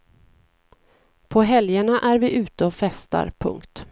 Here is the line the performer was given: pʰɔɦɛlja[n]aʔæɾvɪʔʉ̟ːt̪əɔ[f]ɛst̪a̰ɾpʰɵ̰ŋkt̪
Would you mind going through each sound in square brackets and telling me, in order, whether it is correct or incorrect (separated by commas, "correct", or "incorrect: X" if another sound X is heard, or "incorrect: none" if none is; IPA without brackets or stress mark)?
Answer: incorrect: ɳ, correct